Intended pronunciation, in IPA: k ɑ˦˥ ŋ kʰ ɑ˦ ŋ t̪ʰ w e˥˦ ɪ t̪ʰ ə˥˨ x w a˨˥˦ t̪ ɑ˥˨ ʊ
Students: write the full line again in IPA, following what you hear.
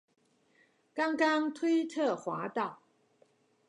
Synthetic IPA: k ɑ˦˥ ŋ k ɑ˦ ŋ t̪ʰ w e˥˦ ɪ t̪ʰ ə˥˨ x w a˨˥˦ t̪ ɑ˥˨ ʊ